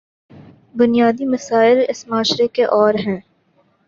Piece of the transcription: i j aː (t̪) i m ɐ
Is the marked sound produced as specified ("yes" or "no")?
no